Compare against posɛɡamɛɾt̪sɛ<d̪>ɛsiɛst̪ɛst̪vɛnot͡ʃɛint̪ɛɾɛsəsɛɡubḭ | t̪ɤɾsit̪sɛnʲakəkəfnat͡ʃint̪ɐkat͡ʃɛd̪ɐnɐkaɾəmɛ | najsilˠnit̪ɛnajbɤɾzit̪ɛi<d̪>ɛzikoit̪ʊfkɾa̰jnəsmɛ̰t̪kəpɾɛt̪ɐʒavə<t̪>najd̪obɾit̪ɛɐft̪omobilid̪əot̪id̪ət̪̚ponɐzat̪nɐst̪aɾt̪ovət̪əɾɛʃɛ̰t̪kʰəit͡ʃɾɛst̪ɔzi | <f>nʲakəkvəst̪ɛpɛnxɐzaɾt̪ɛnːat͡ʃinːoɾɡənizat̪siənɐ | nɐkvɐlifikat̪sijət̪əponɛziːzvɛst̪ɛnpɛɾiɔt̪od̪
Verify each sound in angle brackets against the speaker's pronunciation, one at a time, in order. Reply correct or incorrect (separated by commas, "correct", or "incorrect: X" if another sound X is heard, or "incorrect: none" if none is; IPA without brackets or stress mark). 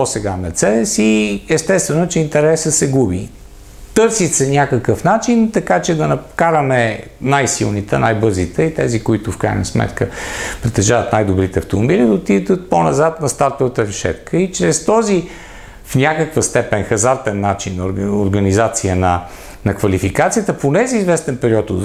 correct, incorrect: t̪, correct, correct